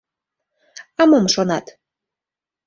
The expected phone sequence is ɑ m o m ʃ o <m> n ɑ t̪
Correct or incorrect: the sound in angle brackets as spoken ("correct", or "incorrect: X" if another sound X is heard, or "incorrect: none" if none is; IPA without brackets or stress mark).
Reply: incorrect: none